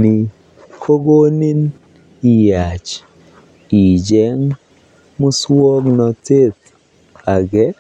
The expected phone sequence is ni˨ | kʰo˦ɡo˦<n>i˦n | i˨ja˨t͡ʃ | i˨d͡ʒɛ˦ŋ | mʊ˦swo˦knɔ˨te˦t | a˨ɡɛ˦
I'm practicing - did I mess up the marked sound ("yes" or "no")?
no